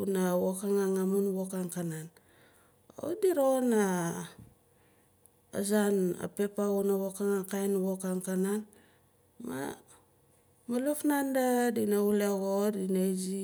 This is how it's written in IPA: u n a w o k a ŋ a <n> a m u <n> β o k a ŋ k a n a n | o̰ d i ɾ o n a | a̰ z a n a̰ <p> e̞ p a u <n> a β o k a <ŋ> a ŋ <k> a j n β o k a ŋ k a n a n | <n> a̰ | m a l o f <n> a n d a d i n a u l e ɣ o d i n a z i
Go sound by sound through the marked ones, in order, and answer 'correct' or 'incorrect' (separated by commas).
incorrect, correct, correct, correct, correct, correct, incorrect, correct